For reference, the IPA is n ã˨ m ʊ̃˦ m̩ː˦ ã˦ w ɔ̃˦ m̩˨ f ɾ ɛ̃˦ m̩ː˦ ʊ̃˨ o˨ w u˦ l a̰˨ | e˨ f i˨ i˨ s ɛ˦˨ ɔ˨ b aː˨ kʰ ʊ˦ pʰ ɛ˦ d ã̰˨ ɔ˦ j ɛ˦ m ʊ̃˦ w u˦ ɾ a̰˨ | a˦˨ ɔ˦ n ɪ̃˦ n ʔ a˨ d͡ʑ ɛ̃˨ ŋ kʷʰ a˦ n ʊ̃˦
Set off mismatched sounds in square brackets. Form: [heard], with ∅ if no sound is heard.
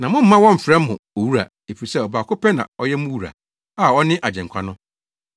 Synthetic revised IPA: n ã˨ m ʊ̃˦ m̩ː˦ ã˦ w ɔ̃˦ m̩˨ f ɾ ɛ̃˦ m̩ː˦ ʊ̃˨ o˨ w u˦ [ɾ] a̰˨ | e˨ f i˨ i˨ s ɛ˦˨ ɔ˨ b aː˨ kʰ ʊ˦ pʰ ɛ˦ [n] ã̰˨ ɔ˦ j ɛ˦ m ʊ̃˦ w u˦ ɾ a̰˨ | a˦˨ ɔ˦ n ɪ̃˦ [∅] ʔ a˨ d͡ʑ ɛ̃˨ ŋ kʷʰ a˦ n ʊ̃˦

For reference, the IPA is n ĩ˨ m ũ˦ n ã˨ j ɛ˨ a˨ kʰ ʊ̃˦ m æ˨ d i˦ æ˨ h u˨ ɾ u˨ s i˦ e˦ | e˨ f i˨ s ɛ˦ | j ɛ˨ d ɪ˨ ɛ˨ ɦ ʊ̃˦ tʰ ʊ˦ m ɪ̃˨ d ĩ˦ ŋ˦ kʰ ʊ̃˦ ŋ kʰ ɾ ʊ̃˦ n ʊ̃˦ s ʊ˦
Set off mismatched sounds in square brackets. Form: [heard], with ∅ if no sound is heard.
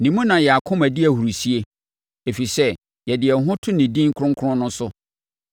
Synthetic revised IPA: n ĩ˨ m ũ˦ n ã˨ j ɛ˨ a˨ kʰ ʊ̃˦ m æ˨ d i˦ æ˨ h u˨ ɾ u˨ s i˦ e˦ | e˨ f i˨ s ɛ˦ | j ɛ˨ d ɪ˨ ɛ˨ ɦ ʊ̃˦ tʰ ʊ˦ [n] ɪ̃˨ d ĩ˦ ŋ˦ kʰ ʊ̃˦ ŋ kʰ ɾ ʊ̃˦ n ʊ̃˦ s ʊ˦

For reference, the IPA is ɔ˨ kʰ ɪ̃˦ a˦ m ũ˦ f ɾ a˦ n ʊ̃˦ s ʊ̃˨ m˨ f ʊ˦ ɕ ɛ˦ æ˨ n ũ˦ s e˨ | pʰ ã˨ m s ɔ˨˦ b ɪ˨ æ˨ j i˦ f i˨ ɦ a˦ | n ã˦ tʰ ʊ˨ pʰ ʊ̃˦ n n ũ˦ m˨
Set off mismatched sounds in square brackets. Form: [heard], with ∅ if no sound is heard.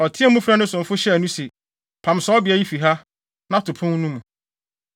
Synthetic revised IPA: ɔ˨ [tʰ] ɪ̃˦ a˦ m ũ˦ f ɾ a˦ n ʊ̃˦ s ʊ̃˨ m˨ f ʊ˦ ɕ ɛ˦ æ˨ n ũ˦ s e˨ | pʰ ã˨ m s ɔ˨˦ b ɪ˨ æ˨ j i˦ f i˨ ɦ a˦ | n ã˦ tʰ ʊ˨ pʰ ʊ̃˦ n n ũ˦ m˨

